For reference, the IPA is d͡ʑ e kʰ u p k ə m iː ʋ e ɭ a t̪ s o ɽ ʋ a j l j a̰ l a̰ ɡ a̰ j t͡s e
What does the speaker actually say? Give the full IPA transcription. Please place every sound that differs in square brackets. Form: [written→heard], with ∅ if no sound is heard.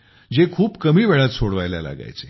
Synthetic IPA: d͡ʑ e kʰ [u→uː] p k ə m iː ʋ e ɭ a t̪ s o ɽ ʋ a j l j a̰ l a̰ ɡ a̰ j t͡s e